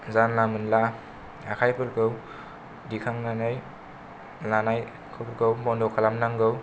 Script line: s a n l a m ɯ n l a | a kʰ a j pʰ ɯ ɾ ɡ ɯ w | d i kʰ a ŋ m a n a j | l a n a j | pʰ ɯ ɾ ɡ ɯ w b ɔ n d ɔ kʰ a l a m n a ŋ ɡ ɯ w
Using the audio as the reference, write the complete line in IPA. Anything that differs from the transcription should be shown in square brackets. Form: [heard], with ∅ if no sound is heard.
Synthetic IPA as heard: [z] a n l a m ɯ n l a | a kʰ a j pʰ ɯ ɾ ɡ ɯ w | d i kʰ a ŋ [n] a n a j | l a n a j | [kʰ] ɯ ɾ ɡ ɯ w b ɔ n d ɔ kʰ a l a m n a ŋ ɡ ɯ w